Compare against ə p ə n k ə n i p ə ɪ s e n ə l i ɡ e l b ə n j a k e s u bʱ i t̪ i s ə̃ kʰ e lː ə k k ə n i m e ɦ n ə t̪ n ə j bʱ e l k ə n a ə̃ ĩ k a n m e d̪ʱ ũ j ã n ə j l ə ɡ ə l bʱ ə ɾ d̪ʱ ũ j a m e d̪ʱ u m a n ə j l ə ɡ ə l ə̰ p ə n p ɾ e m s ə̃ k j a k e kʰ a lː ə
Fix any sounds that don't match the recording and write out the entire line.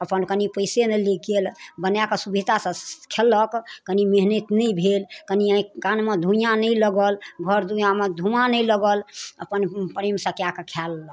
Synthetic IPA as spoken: ə p ə n k ə n i p ə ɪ s e n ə l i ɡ e l b ə n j a k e s u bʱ i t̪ a s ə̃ kʰ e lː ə k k ə n i m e ɦ n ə t̪ n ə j bʱ e l k ə n i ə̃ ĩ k a n m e d̪ʱ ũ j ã n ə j l ə ɡ ə l ɡʱ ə ɾ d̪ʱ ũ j a m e d̪ʱ u m a n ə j l ə ɡ ə l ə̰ p ə n p ɾ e m s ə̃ k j a k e kʰ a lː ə